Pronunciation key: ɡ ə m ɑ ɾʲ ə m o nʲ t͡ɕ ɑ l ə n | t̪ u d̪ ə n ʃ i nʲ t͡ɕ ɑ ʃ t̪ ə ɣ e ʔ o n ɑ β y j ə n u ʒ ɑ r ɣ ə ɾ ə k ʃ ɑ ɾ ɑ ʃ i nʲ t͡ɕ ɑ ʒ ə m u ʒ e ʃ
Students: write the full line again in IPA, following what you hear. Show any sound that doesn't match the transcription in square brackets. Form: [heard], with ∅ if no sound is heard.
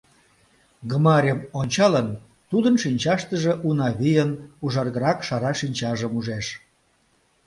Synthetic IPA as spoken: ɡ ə m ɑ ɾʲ ə m o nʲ t͡ɕ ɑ l ə n | t̪ u d̪ ə n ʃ i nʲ t͡ɕ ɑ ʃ t̪ ə [ʒ] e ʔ [u] n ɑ β [i] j ə n u ʒ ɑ r ɣ ə ɾ [ɑ] k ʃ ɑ ɾ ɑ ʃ i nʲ t͡ɕ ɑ ʒ ə m u ʒ e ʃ